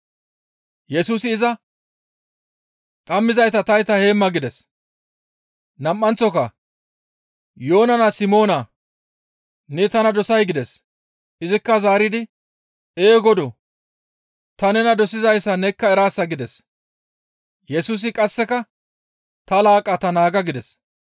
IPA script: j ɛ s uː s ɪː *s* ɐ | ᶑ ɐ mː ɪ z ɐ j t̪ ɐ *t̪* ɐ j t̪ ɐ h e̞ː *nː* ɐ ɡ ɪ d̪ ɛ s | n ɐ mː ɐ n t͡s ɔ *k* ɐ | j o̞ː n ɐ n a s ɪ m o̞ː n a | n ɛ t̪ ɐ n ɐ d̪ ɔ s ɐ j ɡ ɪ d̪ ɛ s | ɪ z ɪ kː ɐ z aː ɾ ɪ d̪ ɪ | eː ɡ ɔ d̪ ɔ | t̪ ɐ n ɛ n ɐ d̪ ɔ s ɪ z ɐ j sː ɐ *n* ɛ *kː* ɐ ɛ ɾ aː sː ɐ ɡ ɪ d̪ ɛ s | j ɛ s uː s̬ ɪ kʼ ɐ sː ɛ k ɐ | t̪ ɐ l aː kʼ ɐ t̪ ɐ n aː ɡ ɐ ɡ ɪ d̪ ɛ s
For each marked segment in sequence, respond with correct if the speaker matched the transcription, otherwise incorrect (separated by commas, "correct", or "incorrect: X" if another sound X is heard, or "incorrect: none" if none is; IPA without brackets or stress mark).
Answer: incorrect: z, correct, incorrect: mː, correct, correct, correct